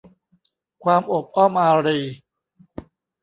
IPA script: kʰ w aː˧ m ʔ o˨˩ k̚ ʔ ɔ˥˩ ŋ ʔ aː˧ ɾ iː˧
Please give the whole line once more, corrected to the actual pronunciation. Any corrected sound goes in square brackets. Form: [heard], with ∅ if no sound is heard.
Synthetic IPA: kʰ w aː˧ m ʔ o˨˩ [p̚] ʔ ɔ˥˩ [m] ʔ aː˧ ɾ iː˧